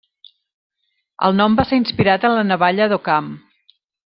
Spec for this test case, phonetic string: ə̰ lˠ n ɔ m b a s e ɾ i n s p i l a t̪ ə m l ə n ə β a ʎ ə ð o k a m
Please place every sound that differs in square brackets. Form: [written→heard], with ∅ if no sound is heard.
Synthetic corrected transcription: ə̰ lˠ n ɔ m b a s e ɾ i n s p i [l→ɾ] a t̪ ə [m→n] l ə n ə β a ʎ ə ð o k a m